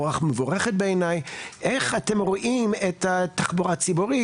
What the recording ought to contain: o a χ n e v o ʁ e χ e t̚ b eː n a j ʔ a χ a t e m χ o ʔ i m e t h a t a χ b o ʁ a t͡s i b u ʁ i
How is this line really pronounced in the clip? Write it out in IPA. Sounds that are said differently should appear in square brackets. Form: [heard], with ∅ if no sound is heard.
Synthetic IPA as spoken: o a χ [m] e v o ʁ e χ e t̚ b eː n a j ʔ [e] χ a t e m [ʁ] o ʔ i m e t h a t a χ b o ʁ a t͡s i b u ʁ i